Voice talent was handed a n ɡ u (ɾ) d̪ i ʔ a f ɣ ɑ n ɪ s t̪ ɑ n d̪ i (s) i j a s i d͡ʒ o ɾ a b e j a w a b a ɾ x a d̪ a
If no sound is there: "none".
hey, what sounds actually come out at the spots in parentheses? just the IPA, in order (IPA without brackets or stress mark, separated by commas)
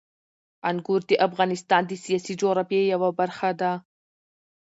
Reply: ɾ, s